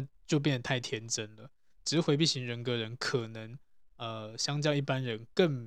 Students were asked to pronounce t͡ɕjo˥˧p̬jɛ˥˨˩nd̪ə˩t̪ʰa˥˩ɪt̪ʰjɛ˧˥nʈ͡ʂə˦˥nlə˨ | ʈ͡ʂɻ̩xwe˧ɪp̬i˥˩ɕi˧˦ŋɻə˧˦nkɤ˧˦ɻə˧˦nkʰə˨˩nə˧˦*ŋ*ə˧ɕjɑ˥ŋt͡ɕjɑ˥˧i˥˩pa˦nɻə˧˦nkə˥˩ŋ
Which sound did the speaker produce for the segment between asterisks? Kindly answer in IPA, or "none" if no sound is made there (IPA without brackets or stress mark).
ŋ